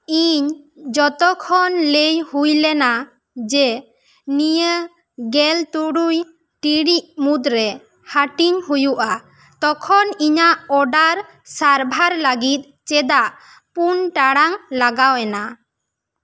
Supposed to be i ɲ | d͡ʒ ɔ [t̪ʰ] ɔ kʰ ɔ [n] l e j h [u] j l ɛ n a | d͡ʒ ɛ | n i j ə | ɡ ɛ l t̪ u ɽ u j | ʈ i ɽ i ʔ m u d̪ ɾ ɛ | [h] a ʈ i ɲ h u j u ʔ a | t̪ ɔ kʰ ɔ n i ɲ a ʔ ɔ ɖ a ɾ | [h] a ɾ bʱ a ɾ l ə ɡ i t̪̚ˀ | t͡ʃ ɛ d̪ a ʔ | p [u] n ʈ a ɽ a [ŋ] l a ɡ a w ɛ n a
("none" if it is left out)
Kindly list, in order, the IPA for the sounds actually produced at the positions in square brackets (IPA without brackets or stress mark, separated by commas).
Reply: t̪, n, u, h, s, u, ŋ